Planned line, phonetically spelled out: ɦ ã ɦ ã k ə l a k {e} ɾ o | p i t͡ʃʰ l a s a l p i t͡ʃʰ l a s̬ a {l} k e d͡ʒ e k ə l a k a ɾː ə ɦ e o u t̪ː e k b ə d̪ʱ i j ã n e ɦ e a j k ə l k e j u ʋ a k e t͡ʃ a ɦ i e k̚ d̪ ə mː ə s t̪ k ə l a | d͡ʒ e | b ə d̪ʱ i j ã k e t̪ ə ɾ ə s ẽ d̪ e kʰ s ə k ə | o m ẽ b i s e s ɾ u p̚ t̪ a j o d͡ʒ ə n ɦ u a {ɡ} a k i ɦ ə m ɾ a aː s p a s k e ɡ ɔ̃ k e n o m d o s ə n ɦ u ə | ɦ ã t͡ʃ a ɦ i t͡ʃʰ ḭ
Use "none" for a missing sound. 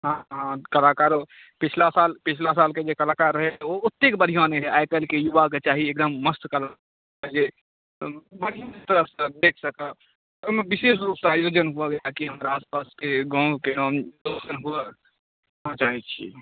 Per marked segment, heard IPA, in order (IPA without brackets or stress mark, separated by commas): a, l, ɡ